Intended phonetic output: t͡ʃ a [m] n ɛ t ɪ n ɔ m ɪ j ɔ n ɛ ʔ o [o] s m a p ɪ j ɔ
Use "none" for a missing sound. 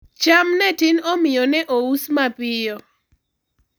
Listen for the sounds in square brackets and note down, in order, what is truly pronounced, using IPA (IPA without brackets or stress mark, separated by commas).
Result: m, u